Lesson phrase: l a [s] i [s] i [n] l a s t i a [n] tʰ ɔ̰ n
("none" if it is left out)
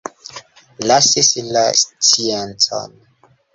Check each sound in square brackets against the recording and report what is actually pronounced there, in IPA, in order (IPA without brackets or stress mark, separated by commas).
s, s, none, n